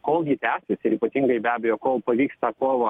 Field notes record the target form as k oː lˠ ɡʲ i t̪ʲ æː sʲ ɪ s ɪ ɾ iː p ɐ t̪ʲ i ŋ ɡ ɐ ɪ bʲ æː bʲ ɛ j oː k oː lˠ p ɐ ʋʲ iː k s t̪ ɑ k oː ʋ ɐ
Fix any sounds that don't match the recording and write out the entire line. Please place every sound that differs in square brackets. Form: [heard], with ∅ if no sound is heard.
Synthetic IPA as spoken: k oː lˠ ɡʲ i t̪ʲ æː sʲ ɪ s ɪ ɾ iː p ɐ t̪ʲ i ŋ ɡ ɐ ɪ bʲ æː bʲ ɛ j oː k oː lˠ p ɐ ʋʲ iː k s t̪ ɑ k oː ʋ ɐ